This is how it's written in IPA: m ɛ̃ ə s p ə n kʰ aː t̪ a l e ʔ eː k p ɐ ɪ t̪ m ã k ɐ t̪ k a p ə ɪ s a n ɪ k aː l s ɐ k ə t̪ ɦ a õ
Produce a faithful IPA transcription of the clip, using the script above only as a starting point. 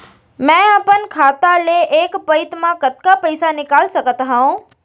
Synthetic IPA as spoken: m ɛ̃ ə p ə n kʰ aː t̪ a l e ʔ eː k p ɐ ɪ t̪ m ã k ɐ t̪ k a p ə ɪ s a n ɪ k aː l s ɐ k ə t̪ ɦ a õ